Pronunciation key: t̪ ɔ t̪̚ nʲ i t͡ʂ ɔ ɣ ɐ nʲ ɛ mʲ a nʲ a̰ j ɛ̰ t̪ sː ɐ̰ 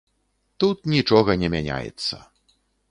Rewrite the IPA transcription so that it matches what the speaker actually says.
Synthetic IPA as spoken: t̪ u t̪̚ nʲ i t͡ʂ ɔ ɣ ɐ nʲ ɛ mʲ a nʲ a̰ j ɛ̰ t̪ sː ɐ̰